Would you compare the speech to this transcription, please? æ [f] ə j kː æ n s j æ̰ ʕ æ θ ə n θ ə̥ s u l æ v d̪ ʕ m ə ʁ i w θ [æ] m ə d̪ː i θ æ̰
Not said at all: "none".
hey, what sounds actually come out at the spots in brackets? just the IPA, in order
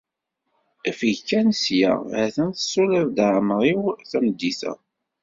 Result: f, æ

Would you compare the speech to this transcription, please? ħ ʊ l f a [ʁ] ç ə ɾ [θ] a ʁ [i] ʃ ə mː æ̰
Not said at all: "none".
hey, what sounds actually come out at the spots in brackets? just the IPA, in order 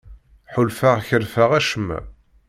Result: ʁ, f, æ

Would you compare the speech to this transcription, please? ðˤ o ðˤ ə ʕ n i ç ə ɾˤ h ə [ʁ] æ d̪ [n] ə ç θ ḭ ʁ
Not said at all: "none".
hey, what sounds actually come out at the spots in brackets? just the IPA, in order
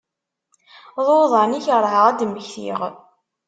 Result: ʁ, m

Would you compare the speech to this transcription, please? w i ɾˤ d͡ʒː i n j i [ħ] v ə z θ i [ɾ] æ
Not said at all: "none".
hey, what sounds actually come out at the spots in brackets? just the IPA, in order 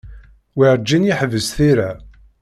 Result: ħ, ɾ

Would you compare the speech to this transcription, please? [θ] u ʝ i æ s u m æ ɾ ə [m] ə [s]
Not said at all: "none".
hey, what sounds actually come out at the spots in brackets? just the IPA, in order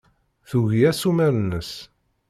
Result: θ, n, s

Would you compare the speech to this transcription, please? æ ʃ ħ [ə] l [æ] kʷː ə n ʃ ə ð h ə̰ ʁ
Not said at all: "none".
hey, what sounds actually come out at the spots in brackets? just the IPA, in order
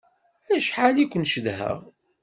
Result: a, i

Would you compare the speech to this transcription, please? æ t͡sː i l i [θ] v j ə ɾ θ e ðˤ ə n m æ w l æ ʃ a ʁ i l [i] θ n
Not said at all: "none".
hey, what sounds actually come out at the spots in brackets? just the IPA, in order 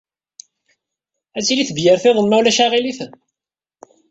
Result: θ, i

